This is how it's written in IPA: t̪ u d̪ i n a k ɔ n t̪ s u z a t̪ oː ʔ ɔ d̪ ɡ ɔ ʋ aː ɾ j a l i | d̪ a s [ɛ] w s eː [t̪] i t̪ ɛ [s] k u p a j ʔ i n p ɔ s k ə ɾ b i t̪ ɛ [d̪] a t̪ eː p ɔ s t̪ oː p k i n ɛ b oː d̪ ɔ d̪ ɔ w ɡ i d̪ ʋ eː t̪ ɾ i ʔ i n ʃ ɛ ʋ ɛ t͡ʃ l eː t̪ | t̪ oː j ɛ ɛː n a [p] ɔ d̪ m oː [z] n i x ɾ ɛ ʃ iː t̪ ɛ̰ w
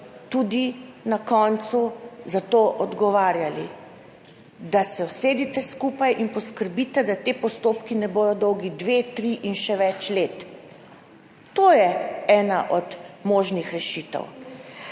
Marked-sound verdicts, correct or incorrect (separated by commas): correct, incorrect, correct, correct, incorrect, incorrect